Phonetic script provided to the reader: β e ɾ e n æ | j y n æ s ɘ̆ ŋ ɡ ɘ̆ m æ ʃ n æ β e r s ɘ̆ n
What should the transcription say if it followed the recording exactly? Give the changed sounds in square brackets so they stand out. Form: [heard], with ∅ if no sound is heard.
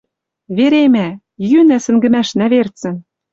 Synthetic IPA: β e ɾ e [m] æ | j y n æ s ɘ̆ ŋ ɡ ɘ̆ m æ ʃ n æ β e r [t͡s] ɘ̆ n